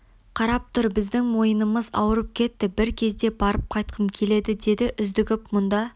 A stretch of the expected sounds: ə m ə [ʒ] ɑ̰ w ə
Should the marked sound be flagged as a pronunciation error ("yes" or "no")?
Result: yes